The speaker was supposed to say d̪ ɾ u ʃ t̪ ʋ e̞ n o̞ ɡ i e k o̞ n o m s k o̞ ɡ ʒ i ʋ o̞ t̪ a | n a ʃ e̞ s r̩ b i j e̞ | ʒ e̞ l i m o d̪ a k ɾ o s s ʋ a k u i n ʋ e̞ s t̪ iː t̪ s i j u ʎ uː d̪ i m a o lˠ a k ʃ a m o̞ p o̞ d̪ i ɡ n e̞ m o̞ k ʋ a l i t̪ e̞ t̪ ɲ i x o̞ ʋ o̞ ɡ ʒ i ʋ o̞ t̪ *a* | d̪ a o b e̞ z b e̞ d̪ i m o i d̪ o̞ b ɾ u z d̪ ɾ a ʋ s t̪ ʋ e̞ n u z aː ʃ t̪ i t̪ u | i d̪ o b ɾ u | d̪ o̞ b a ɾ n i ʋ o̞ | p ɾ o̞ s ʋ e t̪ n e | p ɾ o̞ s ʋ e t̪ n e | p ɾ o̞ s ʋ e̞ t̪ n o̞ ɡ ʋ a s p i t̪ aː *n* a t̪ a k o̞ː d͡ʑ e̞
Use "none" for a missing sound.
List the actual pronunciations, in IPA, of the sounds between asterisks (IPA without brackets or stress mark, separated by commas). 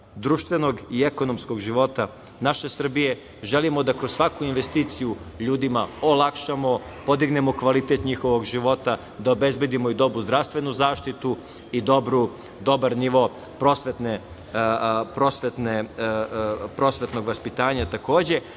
a, ɲ